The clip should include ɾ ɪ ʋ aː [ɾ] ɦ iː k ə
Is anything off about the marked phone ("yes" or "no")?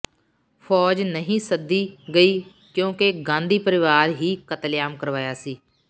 no